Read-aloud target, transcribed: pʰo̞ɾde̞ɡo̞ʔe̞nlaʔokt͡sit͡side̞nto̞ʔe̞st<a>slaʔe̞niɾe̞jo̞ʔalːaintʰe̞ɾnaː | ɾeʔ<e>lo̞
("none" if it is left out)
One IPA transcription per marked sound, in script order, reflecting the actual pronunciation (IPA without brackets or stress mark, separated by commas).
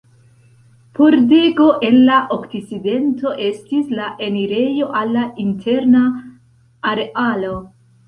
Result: i, a